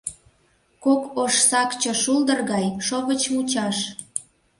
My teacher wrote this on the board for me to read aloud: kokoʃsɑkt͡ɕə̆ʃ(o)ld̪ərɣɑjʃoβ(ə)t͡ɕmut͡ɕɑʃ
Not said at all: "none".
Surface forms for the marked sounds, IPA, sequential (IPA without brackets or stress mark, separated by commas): u, ə